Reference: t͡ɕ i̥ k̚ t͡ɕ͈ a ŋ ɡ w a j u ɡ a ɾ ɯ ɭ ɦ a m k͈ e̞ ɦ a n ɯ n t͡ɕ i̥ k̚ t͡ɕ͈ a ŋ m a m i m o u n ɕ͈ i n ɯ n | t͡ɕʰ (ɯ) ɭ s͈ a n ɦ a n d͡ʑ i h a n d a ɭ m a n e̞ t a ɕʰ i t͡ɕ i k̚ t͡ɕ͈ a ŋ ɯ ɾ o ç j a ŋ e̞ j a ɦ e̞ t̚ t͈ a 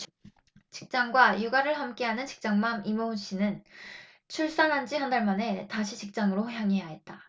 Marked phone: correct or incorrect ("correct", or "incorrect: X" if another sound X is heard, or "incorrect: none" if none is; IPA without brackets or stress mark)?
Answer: incorrect: u